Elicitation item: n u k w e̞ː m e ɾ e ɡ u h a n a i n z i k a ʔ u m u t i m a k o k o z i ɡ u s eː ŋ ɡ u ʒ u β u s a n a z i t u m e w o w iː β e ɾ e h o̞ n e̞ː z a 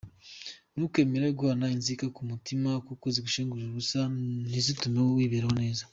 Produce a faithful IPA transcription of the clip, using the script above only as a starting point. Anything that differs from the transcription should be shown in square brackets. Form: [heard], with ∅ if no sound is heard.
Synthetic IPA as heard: n u k w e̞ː m e ɾ e ɡ u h a n a i n z i k a [k] u m u t i m a k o k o z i ɡ u [ʃ] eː ŋ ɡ u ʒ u β u s a n [i] z i t u m e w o w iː β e ɾ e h o̞ n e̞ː z a